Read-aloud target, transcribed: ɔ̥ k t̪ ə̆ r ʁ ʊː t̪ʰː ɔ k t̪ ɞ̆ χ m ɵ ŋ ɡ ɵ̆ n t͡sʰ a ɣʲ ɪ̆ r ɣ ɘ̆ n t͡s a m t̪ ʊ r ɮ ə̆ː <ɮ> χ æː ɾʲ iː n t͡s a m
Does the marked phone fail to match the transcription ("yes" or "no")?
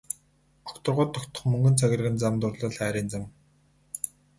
no